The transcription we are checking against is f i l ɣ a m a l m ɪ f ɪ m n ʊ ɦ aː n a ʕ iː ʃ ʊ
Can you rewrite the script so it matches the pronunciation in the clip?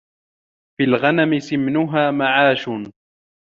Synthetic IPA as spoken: f i l ɣ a n a m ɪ s ɪ m n ʊ ɦ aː m a ʕ aː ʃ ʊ